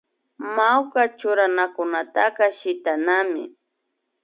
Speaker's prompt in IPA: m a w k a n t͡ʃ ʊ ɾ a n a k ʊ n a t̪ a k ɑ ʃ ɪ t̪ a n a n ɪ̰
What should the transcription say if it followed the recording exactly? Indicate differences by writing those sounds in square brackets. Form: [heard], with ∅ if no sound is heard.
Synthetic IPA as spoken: m a w k a [∅] t͡ʃ ʊ ɾ a n a k ʊ n a t̪ a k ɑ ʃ ɪ t̪ a n a [m] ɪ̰